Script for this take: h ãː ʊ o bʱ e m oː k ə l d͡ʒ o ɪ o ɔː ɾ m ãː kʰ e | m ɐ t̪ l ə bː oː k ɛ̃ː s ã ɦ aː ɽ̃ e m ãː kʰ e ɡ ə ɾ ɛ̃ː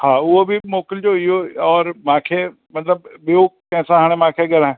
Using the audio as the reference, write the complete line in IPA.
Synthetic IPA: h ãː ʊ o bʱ i m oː k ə l d͡ʒ o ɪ o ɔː ɾ m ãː kʰ e | m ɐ t̪ l ə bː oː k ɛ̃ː s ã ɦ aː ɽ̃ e m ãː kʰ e ɡ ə ɾ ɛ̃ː